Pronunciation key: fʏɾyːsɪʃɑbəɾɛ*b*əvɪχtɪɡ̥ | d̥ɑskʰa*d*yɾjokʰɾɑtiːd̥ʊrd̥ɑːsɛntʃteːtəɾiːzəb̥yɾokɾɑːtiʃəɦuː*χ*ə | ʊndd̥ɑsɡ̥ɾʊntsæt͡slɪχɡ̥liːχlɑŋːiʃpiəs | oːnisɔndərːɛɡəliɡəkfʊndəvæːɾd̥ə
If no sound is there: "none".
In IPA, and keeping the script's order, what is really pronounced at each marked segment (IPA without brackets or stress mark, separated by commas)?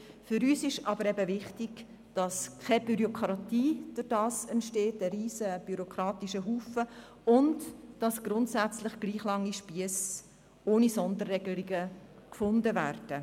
b, b, f